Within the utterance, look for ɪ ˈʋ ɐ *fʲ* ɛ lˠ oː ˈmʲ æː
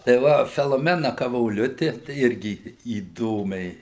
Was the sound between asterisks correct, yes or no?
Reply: yes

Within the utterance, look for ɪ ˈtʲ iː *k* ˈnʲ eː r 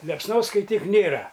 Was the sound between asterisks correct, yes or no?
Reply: yes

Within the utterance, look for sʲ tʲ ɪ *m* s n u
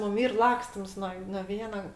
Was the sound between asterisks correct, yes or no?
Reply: yes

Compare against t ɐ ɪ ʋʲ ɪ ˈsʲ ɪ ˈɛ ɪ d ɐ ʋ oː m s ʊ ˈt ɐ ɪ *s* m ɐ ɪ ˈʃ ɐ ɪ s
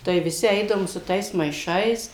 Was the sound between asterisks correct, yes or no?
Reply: yes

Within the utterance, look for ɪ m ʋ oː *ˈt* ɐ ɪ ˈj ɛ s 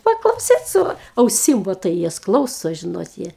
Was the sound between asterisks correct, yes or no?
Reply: yes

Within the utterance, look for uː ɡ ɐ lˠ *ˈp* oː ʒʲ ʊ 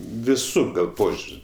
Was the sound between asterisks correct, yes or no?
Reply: yes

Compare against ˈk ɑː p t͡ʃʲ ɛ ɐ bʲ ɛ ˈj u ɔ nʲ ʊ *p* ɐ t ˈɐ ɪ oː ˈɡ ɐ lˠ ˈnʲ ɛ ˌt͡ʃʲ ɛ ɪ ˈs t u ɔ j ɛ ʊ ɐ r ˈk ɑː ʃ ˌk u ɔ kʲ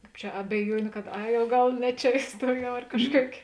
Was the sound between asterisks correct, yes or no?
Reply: no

